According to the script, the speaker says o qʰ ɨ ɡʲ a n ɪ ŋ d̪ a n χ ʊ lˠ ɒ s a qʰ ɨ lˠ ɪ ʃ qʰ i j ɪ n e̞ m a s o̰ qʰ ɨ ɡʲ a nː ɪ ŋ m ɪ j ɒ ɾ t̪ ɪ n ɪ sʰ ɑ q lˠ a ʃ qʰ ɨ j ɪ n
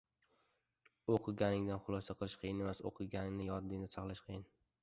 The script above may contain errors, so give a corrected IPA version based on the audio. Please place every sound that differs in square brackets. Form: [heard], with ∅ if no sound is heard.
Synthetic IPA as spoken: o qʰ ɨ ɡʲ a n ɪ ŋ d̪ a n χ ʊ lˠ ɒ s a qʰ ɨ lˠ ɪ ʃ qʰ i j ɪ n e̞ m a s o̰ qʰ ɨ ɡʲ a [n] ɪ ŋ [n] ɪ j ɒ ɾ [d̪] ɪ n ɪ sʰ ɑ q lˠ a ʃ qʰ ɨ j ɪ n